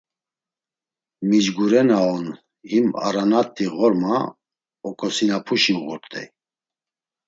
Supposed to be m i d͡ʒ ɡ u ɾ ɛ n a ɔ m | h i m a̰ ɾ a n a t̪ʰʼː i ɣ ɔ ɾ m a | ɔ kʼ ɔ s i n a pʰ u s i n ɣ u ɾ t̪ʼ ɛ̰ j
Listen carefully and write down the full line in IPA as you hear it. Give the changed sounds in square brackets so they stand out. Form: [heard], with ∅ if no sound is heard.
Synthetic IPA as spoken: m i d͡ʒ ɡ u ɾ ɛ n a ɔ [n] | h i m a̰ ɾ a n a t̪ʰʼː i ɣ ɔ ɾ m a | ɔ kʼ ɔ s i n a pʰ u [ʃ] i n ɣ u ɾ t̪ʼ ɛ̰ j